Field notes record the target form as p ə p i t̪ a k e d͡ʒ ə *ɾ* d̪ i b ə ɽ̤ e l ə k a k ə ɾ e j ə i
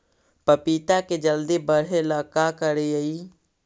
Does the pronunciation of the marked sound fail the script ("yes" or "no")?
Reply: yes